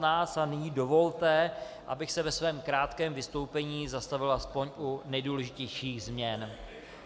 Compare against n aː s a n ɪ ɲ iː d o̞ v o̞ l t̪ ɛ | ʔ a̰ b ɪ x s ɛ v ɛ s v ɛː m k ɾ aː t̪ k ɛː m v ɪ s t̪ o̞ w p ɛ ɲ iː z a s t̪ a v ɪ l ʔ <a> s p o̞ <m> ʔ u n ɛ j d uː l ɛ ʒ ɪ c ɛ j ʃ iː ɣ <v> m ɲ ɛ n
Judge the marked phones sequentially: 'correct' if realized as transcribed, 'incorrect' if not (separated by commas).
correct, incorrect, incorrect